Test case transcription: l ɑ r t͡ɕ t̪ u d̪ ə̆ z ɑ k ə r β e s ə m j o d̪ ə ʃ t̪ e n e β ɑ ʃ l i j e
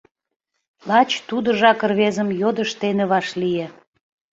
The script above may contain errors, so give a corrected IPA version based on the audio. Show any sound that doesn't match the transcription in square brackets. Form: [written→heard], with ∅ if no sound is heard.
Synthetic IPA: l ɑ [r→∅] t͡ɕ t̪ u d̪ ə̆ [z→ʒ] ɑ k ə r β e [s→z] ə m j o d̪ ə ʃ t̪ e n e β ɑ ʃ l i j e